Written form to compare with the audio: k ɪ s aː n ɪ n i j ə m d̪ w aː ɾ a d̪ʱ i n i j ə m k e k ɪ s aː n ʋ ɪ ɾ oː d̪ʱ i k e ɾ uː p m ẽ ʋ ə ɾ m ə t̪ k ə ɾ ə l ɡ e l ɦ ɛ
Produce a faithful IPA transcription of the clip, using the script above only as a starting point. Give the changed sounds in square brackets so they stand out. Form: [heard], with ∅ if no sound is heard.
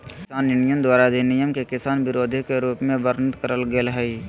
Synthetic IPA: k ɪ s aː n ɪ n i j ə [n] d̪ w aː ɾ a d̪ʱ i n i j ə m k e k ɪ s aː n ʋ ɪ ɾ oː d̪ʱ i k e ɾ uː p m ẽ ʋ ə ɾ [n] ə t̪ k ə ɾ ə l ɡ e l ɦ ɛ